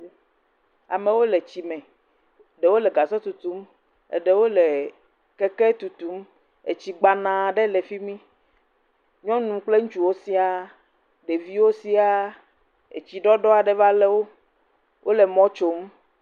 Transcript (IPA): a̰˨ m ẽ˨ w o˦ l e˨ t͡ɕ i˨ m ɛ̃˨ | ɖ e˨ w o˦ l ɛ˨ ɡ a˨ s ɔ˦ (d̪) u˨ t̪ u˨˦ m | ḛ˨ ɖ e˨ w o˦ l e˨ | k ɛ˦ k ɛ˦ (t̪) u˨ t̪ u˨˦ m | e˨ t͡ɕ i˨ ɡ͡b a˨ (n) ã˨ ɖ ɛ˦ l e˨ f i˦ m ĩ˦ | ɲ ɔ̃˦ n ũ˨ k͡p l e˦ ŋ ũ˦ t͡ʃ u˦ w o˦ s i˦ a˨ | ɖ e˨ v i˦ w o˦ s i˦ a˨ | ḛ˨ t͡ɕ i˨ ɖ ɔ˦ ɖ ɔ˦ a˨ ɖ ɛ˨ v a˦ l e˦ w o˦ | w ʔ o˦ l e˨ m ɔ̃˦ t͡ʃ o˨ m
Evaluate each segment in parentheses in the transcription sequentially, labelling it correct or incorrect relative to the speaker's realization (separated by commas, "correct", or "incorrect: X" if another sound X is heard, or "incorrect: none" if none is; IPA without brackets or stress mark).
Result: incorrect: t̪, correct, correct